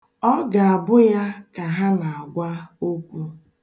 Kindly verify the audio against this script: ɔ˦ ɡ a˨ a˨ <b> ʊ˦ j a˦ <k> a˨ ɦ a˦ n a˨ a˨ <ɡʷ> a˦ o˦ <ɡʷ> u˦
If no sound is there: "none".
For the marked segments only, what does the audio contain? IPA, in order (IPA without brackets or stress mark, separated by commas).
b, k, ɡʷ, kʷ